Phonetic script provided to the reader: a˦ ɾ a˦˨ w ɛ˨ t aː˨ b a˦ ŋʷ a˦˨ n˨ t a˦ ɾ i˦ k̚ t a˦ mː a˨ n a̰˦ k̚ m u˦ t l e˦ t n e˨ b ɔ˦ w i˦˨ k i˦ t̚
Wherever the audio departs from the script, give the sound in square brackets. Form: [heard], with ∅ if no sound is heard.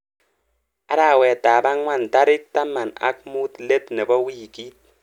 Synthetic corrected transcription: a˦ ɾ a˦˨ w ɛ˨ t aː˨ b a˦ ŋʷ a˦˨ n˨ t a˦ ɾ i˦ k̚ t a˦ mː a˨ n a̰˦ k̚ m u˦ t l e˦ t n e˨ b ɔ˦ w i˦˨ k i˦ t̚